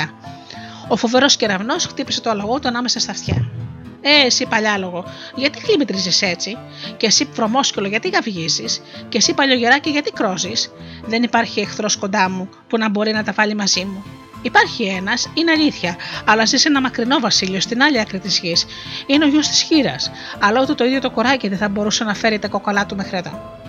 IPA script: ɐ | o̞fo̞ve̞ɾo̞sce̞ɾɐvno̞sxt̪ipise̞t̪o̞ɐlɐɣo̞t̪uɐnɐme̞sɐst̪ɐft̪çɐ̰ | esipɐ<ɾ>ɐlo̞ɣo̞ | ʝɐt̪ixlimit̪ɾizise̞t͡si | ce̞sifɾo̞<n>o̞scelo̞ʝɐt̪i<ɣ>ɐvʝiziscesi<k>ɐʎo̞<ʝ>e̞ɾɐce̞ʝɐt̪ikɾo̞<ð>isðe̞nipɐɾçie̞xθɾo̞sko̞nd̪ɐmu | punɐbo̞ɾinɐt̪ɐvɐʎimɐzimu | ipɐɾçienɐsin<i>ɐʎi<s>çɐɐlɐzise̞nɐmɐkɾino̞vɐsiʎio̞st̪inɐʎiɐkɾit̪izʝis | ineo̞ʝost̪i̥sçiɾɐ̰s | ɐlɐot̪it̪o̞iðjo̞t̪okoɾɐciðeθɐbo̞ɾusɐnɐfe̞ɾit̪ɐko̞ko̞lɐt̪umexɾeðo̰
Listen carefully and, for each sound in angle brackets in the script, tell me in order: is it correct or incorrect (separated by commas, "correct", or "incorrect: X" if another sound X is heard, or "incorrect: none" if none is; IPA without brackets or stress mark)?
incorrect: ʎ, incorrect: m, correct, incorrect: p, correct, incorrect: z, incorrect: e, incorrect: θ